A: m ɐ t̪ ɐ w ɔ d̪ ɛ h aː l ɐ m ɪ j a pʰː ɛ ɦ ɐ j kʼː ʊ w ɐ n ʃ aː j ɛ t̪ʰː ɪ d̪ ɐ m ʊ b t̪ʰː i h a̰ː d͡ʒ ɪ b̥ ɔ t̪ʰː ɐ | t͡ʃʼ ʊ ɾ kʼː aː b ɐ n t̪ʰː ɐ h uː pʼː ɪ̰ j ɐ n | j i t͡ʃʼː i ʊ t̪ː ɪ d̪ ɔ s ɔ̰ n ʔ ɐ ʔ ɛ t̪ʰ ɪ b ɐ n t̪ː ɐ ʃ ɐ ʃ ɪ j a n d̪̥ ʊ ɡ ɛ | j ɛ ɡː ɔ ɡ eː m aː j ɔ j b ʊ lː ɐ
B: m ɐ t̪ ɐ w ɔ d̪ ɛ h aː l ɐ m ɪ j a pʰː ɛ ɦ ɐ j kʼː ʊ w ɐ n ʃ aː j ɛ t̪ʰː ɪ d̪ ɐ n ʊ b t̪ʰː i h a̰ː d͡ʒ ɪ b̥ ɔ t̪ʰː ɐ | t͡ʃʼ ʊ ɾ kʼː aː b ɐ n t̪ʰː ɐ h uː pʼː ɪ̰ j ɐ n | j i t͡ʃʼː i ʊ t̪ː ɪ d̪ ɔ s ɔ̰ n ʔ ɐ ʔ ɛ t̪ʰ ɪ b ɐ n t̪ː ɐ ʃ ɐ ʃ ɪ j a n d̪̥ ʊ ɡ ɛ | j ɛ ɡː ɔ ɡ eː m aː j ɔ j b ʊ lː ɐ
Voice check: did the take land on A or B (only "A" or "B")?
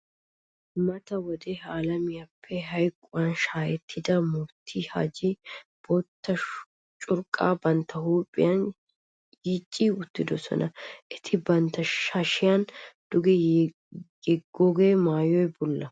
A